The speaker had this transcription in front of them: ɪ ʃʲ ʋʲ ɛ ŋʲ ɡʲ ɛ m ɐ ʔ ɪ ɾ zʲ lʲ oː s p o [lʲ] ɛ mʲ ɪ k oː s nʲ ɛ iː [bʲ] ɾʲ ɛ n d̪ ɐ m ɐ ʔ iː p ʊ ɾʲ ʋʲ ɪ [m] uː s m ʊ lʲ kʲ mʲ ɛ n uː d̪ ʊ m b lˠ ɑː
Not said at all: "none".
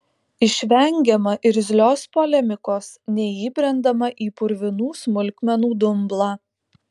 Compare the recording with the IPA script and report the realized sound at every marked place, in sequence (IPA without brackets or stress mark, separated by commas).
lʲ, bʲ, n